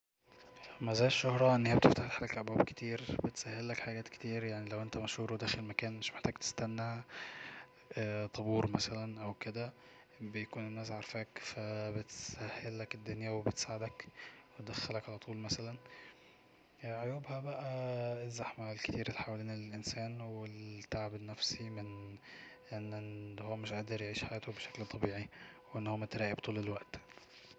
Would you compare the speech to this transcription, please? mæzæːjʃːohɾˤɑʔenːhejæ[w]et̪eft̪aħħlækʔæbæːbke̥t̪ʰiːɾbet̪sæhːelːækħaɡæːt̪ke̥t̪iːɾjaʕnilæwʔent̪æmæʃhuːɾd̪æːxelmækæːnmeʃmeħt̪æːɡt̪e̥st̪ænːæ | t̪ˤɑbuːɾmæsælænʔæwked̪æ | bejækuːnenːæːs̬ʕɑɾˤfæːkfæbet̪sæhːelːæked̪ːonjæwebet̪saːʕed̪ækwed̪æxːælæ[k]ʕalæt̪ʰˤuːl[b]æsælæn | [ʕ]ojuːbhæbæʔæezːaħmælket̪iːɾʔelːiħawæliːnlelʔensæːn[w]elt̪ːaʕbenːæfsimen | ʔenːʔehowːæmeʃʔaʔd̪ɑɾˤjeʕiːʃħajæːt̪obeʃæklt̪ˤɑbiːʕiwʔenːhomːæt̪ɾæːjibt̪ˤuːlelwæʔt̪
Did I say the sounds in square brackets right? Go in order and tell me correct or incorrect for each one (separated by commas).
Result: incorrect, correct, incorrect, correct, correct